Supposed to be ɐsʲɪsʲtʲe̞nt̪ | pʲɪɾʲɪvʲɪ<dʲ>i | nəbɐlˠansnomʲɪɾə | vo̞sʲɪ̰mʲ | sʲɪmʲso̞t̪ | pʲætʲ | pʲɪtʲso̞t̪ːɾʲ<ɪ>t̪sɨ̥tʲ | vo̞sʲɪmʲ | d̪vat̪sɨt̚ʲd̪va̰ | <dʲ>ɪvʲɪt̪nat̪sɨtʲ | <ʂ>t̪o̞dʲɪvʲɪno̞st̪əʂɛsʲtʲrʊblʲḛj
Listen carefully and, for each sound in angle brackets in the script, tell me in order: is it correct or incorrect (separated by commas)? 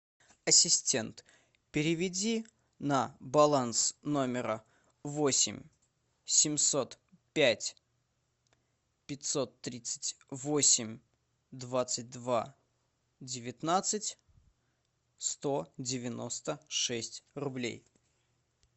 correct, incorrect, correct, incorrect